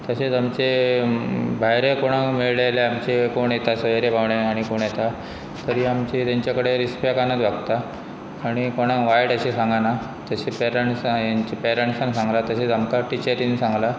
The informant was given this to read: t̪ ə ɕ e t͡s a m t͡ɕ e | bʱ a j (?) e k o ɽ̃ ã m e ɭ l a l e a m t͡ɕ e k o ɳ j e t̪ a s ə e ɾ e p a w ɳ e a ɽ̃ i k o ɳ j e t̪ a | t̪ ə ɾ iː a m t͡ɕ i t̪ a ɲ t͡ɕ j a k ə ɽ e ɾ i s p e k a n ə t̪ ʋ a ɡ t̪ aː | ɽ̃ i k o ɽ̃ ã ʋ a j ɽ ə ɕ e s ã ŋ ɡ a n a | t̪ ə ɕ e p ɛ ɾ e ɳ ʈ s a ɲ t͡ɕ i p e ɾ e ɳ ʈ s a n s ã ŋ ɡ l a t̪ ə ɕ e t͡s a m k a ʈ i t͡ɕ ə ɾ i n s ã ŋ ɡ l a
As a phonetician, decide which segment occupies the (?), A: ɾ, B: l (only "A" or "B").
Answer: A